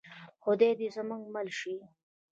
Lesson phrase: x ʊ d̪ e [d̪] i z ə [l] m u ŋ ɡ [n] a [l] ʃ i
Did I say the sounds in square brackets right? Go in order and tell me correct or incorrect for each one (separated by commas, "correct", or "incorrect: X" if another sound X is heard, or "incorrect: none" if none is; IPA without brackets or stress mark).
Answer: correct, incorrect: none, incorrect: m, correct